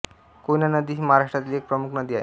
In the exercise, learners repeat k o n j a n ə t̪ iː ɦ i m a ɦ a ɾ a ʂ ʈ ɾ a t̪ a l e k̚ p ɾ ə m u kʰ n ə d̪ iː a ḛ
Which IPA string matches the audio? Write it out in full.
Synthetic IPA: k o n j a n ə d̪ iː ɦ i m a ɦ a ɾ a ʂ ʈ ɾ a t̪ i l e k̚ p ɾ ə m u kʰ n ə d̪ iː a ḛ